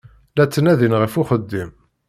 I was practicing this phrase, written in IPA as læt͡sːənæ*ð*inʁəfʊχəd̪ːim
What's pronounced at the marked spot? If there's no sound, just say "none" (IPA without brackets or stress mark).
ð